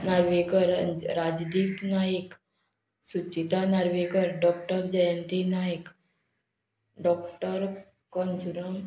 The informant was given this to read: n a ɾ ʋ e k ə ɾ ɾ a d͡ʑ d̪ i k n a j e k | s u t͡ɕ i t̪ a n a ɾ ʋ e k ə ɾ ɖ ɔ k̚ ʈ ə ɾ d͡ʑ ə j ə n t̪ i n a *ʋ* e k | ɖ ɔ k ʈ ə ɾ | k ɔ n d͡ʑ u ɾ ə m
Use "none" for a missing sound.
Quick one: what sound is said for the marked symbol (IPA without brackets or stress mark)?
none